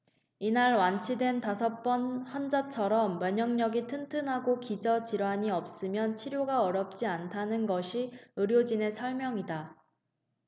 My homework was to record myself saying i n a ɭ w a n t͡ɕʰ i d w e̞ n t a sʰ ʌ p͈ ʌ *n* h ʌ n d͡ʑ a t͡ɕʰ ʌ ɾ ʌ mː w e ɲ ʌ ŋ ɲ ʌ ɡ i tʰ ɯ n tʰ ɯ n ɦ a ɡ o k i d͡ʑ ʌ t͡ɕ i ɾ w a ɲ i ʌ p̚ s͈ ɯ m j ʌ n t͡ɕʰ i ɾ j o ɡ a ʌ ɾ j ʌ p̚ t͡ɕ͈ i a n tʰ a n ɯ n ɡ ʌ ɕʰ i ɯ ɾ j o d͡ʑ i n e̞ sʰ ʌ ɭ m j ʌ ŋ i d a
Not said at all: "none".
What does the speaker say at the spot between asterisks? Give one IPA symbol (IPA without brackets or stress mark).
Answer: n